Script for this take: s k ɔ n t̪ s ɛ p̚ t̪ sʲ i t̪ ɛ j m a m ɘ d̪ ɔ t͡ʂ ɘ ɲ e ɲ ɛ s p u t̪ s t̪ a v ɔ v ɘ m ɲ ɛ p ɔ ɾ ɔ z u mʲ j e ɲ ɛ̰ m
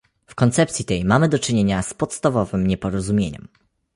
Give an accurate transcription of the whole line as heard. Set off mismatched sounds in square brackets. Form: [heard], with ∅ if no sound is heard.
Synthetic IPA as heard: [f] k ɔ n t̪ s ɛ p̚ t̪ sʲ i t̪ ɛ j m a m ɘ d̪ ɔ t͡ʂ ɘ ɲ e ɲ [a] s p [ɔ] t̪ s t̪ a v ɔ v ɘ m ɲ ɛ p ɔ ɾ ɔ z u mʲ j e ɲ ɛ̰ m